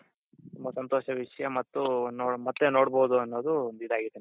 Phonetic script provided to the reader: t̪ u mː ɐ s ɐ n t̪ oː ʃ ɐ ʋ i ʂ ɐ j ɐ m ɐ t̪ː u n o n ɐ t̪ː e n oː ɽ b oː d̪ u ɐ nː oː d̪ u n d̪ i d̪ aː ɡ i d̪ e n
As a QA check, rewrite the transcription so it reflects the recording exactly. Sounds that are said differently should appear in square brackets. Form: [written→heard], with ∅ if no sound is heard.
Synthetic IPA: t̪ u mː ɐ s ɐ n t̪ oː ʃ ɐ ʋ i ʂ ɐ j ɐ m ɐ t̪ː u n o [n→m] ɐ t̪ː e n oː ɽ b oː d̪ u ɐ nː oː d̪ u n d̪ i d̪ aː ɡ i d̪ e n